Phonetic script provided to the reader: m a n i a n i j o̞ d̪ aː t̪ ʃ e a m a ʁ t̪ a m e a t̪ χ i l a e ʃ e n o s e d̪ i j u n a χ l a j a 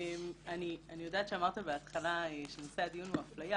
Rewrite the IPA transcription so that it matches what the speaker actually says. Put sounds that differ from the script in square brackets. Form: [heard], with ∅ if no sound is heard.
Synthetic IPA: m a n i a n i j o̞ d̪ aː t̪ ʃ e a m a ʁ t̪ a [b] e a t̪ χ [a] l a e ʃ e n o s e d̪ i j u n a [f] l a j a